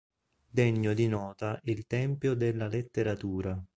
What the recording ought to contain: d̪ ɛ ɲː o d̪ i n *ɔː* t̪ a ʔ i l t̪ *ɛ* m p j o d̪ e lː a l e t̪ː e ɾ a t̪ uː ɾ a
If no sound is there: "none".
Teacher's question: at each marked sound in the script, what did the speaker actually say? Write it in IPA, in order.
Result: ɔː, ɛ

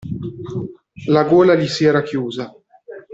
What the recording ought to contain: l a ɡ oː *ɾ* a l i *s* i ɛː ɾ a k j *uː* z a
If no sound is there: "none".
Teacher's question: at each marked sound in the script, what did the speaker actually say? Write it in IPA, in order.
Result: l, s, uː

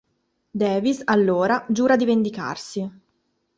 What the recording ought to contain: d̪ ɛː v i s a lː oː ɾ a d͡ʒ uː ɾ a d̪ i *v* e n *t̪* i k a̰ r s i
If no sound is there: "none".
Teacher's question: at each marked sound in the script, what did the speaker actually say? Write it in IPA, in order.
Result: v, d̪

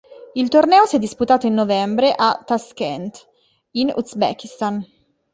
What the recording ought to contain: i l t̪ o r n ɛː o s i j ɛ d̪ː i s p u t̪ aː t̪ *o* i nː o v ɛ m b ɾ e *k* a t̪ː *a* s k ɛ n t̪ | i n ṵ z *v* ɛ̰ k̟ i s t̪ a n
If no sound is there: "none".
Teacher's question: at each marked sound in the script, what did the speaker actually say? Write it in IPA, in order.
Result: o, ʔ, a, b

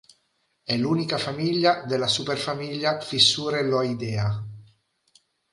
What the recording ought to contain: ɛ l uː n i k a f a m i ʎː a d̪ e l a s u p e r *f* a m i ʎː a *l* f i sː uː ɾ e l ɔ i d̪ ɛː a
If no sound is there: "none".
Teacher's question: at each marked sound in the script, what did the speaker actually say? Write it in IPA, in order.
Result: f, none

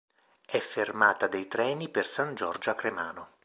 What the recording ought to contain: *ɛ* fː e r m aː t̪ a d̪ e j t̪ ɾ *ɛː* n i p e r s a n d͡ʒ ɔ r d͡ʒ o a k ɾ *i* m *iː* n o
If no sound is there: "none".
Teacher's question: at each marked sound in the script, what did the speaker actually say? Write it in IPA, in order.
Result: ɛ, ɛː, e, aː

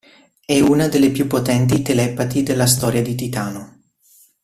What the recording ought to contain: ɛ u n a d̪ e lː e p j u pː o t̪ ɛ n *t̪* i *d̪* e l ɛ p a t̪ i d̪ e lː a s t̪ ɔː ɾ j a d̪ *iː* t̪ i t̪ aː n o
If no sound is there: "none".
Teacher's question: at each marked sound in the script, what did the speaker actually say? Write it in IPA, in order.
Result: t̪, t̪, i

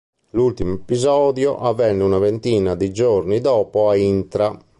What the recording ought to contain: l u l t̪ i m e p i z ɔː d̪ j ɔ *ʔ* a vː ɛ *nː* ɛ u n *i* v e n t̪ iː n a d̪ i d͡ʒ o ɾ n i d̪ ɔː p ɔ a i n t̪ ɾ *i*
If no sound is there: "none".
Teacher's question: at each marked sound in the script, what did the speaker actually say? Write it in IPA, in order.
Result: ʔ, nː, a, a

